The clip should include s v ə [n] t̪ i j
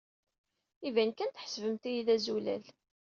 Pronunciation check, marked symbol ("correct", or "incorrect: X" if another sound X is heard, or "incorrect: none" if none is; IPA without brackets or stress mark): incorrect: m